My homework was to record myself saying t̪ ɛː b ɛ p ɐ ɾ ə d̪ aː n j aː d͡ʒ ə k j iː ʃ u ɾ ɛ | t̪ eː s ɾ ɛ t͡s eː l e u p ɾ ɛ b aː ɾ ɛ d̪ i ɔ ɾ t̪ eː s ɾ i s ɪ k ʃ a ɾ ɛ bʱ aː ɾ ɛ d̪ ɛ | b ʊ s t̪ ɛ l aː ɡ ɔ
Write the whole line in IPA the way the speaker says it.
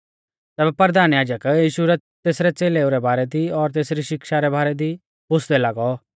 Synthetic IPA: t̪ ɛː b ɛ p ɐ ɾ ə d̪ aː n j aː d͡ʒ ə k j iː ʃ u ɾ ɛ | t̪ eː s ɾ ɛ t͡s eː l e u ɾ ɛ b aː ɾ ɛ d̪ i ɔ ɾ t̪ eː s ɾ i ʃ ɪ k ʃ a ɾ ɛ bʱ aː ɾ ɛ d̪ i | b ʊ s d̪ ɛ l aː ɡ ɔ